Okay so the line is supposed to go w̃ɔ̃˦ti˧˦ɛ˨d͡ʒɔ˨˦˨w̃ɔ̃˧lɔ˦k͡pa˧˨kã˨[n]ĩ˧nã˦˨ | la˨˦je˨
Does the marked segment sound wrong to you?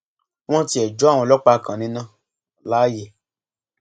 no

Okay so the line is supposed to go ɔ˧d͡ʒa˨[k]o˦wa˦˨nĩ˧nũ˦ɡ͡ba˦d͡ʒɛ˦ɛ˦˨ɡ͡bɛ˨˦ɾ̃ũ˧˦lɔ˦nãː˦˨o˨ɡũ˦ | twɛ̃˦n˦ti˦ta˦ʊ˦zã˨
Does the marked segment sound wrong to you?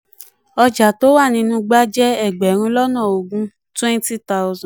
yes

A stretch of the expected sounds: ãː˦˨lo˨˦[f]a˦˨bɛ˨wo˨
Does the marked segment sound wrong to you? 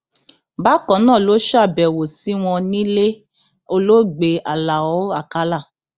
yes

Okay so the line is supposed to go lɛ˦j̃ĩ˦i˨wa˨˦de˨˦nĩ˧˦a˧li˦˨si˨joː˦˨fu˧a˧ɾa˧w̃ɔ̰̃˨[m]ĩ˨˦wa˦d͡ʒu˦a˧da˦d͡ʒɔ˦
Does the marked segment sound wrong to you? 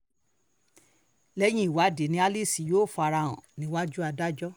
yes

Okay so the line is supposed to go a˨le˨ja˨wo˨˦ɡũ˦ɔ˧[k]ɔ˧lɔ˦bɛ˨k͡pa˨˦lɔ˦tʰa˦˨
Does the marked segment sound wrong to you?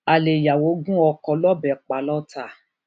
no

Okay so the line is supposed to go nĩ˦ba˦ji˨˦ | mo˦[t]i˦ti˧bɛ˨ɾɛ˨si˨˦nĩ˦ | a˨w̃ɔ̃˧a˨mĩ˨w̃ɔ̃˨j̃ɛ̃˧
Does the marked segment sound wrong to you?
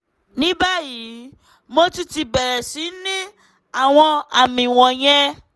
no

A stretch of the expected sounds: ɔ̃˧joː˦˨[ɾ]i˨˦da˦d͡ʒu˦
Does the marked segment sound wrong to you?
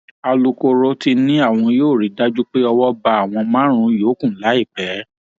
no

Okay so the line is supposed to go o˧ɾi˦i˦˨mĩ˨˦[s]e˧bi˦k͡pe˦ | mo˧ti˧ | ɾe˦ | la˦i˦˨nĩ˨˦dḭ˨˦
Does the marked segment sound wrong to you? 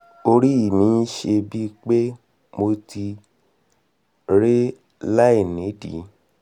yes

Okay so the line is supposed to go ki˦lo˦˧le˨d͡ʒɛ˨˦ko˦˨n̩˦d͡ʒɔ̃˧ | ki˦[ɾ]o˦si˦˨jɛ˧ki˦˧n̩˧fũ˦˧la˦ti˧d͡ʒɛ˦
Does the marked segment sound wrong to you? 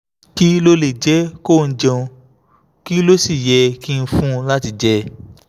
yes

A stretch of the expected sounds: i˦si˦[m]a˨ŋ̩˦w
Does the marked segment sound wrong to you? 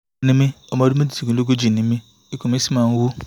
no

